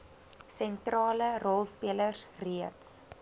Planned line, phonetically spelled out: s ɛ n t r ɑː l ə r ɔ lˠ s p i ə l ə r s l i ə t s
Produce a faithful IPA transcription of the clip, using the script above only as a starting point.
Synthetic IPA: s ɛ n t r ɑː l ə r ɔ lˠ s p i ə l ə r s r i ə t s